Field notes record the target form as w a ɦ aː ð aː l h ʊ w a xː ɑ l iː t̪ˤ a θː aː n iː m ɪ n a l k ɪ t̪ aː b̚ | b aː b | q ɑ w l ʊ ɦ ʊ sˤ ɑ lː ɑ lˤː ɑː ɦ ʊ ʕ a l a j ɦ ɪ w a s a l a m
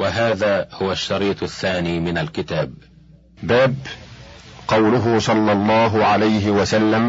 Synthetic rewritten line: w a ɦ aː ð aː h ʊ w a ʃː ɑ ɾ iː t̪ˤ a θː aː n iː m ɪ n a l k ɪ t̪ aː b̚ | b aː b | q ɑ w l ʊ ɦ ʊ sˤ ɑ lː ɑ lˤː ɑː ɦ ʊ ʕ a l a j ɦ ɪ w a s a lː a m